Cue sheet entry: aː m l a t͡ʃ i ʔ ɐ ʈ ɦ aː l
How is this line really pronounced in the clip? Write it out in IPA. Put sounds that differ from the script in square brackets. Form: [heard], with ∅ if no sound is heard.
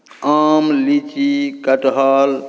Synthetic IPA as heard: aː m l [i] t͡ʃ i [k] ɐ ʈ ɦ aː l